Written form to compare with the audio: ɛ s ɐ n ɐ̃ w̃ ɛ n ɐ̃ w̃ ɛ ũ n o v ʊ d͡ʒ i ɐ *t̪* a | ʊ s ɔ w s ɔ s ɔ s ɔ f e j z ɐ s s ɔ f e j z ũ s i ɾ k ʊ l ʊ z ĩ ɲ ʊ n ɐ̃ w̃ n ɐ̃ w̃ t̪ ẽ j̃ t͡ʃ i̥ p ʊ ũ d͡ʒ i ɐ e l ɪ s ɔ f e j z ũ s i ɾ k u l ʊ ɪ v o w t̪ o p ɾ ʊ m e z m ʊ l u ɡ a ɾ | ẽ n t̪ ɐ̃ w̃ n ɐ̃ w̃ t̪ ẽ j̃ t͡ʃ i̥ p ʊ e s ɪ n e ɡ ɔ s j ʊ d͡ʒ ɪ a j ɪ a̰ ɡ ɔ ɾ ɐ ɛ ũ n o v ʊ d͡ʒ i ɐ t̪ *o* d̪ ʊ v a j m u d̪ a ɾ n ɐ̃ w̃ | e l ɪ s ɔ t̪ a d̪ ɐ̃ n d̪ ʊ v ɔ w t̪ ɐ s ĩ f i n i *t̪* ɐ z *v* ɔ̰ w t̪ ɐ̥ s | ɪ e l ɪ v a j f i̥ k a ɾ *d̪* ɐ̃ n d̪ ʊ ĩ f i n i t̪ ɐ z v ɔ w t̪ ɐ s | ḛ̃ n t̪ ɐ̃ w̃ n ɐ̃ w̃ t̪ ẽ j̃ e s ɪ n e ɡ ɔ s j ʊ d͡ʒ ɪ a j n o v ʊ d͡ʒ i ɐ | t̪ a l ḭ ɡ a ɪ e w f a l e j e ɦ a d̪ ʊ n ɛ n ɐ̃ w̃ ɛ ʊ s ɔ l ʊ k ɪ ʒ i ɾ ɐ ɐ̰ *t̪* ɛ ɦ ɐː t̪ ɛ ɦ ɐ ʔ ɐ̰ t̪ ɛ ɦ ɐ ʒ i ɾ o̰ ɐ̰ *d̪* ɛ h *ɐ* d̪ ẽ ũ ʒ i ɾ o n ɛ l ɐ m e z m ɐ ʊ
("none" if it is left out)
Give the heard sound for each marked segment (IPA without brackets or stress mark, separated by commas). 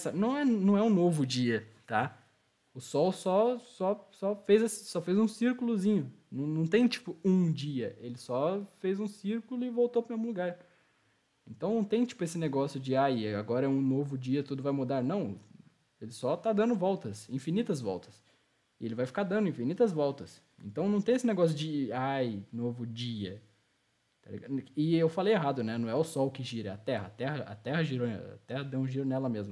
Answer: t̪, u, t̪, v, d̪, t̪, t̪, ɐ